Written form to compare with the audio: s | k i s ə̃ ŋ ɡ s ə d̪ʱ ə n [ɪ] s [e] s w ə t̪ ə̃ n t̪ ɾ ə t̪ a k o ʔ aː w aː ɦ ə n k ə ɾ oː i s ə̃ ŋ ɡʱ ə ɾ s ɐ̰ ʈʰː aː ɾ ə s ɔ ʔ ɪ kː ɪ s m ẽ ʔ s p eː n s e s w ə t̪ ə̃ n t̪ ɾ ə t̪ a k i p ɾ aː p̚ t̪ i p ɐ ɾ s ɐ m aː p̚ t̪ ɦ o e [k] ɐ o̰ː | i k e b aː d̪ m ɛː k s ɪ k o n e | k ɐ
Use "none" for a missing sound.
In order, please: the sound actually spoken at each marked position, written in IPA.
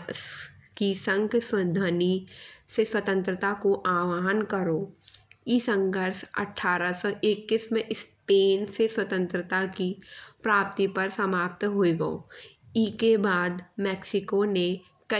i, e, ɡ

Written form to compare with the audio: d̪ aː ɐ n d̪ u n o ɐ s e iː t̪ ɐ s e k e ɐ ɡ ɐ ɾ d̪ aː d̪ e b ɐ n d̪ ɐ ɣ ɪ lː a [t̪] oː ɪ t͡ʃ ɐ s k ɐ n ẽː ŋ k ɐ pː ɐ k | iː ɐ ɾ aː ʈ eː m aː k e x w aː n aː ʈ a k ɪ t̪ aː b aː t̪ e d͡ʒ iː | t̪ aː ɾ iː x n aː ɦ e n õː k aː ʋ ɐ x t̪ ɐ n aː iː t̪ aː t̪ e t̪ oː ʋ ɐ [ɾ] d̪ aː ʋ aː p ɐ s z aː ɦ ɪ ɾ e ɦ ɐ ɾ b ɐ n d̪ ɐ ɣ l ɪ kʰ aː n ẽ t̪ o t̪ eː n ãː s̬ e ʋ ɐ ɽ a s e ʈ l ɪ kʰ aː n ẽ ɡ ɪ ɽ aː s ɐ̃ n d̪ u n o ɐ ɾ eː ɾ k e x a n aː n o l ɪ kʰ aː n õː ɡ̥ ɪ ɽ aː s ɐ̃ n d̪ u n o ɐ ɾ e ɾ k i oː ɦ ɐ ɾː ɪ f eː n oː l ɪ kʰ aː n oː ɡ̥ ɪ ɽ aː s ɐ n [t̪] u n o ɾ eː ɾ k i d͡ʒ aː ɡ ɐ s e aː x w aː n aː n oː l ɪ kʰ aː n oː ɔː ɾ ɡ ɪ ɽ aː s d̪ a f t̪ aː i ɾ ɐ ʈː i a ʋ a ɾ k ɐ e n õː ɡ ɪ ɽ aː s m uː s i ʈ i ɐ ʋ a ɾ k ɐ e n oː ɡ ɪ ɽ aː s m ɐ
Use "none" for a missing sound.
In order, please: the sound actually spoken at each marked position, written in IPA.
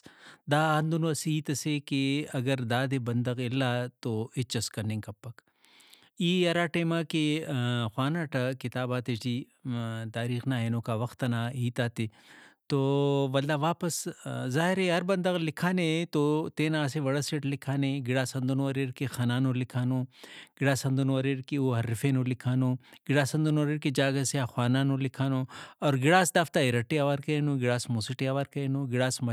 t̪, l, d̪

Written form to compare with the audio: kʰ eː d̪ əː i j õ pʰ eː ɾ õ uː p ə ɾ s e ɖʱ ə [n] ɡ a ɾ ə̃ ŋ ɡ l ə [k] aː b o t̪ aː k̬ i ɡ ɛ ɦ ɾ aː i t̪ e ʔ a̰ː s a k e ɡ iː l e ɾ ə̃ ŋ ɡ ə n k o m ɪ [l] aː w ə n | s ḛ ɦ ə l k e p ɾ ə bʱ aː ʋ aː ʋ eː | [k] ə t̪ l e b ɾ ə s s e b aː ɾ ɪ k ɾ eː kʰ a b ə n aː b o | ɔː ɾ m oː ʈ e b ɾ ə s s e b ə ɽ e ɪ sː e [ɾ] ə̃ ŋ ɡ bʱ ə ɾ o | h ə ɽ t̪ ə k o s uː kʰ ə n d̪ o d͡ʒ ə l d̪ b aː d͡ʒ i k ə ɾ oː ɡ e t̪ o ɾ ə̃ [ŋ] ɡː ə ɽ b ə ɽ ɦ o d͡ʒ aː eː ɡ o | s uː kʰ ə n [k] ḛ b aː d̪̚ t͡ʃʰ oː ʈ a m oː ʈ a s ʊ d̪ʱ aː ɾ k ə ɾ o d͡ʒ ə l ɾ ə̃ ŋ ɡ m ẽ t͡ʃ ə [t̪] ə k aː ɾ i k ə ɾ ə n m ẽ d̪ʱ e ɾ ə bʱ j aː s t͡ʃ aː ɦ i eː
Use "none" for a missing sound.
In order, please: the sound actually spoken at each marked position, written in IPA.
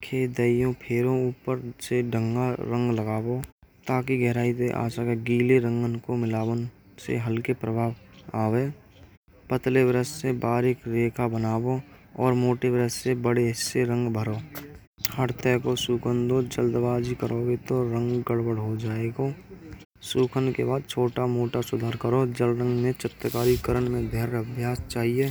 ŋ, ɡ, l, p, ɾ, ŋ, k, t̪

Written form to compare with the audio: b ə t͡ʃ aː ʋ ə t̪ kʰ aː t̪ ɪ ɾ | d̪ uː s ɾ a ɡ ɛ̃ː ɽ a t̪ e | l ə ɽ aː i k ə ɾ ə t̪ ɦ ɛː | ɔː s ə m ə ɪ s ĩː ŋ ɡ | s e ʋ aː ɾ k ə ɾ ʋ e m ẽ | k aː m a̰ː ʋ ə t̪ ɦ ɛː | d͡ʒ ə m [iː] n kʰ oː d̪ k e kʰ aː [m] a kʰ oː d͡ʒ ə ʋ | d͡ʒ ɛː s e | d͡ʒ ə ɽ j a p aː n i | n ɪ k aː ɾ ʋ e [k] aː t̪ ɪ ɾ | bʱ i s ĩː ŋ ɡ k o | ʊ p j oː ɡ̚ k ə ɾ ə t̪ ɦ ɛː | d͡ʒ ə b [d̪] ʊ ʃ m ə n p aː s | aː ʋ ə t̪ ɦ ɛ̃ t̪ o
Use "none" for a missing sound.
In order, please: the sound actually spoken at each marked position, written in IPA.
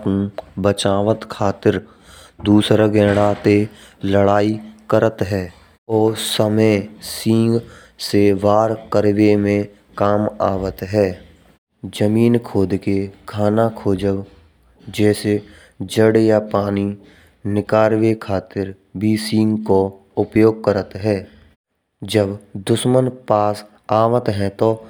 iː, n, kʰ, d̪

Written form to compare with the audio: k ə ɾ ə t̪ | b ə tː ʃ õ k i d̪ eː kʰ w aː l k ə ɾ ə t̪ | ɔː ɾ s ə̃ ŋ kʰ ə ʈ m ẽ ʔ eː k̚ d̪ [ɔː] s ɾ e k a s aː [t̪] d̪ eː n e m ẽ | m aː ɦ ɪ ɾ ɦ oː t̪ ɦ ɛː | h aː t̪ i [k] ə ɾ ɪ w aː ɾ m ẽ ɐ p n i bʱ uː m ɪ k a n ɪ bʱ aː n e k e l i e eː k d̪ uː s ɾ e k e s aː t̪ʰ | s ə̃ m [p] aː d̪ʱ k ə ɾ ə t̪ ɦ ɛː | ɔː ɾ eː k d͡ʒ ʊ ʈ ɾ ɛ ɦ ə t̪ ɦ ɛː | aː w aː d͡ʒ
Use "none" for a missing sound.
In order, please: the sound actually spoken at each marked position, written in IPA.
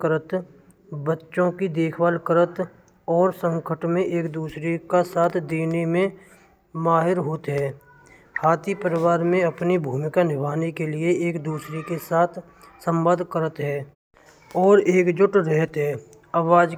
uː, t̪ʰ, p, b

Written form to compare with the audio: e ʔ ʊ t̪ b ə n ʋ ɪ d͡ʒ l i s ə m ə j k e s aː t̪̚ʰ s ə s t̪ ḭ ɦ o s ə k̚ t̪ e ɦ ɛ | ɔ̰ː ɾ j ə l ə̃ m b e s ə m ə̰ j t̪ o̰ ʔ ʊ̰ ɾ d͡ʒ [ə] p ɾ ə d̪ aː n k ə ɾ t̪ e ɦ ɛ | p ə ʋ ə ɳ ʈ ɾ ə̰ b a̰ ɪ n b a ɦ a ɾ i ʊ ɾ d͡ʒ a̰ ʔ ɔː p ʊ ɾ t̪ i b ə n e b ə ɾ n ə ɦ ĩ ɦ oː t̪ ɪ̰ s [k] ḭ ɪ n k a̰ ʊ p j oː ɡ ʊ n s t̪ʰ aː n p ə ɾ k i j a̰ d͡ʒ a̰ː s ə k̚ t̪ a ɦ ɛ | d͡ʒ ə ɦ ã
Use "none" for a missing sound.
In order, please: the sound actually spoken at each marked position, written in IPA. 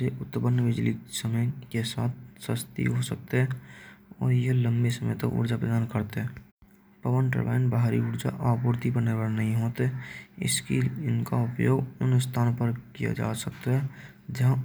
a, k

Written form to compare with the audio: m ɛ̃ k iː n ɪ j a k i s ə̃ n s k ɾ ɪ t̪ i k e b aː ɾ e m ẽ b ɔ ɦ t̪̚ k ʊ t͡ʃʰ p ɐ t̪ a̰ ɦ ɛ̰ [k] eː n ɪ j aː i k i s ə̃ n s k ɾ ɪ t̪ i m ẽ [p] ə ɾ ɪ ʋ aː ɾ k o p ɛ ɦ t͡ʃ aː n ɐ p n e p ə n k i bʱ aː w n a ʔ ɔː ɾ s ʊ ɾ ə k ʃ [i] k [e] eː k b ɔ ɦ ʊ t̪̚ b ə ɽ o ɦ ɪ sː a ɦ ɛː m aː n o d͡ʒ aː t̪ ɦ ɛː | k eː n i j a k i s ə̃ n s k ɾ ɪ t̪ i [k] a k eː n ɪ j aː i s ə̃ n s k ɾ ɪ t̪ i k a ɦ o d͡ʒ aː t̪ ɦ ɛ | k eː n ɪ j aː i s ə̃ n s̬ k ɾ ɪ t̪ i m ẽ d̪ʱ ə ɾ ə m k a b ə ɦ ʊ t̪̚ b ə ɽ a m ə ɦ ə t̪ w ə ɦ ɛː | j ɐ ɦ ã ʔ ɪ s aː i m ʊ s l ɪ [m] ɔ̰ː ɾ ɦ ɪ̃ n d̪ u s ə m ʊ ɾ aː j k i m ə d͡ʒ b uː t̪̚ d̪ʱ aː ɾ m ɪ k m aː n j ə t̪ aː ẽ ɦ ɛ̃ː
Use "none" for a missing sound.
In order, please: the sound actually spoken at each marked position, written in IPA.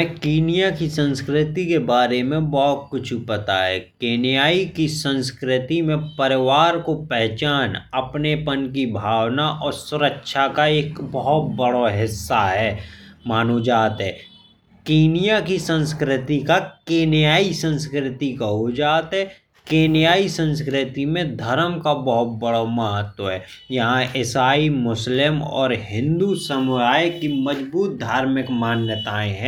k, p, a, a, k, m

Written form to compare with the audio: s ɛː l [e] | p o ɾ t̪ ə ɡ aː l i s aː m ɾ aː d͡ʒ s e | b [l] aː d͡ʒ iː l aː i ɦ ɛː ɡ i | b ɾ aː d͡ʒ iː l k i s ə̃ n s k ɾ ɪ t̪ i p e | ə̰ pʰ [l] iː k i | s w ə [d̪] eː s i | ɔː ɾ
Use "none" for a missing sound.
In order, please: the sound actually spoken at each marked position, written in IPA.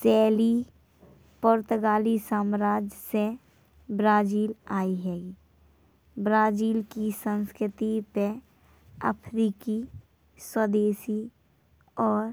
i, ɾ, ɾ, d̪

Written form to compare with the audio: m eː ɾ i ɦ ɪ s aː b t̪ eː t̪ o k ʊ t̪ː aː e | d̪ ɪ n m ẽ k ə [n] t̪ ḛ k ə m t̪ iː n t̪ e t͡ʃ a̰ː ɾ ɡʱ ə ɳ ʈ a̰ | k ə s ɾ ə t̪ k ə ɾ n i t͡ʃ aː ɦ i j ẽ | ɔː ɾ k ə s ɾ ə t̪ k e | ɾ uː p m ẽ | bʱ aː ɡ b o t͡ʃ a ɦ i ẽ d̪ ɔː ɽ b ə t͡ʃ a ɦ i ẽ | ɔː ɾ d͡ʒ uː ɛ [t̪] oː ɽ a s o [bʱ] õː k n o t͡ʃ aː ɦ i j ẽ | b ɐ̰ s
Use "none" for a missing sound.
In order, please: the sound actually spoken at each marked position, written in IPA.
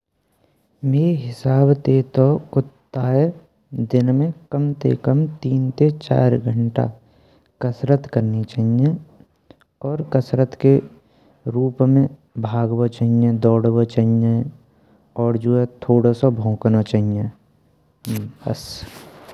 m, t̪ʰ, bʱ

